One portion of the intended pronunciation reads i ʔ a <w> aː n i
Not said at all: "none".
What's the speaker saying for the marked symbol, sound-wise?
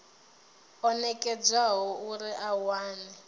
w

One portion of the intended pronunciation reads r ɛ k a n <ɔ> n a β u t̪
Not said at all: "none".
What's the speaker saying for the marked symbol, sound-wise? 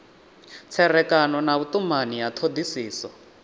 ɔ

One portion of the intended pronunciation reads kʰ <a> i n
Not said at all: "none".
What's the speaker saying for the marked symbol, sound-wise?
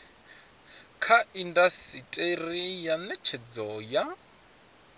a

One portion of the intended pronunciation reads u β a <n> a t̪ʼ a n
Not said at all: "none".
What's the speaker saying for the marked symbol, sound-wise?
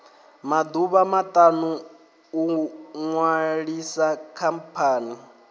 m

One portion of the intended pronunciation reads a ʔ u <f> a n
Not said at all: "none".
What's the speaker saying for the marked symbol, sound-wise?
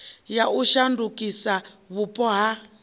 ʃ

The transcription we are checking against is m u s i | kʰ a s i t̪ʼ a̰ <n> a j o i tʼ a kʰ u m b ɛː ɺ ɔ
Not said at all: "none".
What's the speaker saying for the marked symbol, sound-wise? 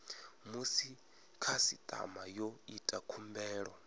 m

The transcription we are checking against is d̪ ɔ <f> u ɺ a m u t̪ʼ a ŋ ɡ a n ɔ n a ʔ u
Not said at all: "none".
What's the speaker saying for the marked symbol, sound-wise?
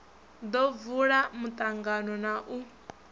v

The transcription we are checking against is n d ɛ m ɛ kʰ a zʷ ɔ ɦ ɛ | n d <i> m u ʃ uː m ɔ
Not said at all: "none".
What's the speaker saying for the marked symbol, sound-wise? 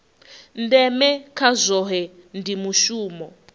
i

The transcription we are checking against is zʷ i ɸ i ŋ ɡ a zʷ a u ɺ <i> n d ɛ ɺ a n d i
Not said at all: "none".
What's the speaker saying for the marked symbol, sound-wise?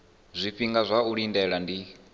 i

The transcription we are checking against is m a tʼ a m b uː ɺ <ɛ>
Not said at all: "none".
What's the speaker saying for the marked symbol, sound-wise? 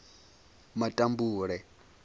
ɛ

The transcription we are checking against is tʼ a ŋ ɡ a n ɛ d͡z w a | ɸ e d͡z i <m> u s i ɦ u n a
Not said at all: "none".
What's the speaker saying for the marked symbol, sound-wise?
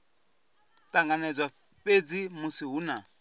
m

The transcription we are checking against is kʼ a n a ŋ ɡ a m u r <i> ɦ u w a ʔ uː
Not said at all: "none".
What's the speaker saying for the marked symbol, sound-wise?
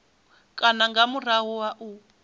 a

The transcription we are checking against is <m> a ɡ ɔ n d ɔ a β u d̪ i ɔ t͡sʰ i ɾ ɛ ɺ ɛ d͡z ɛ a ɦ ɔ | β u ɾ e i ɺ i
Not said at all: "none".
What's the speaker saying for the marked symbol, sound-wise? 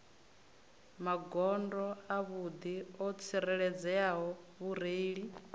m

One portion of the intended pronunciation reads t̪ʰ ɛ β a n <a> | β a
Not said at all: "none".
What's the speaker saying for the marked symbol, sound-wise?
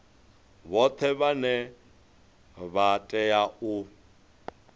ɛ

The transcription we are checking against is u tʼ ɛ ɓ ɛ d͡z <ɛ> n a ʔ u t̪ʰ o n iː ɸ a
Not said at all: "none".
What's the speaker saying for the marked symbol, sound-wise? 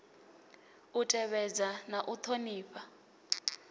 a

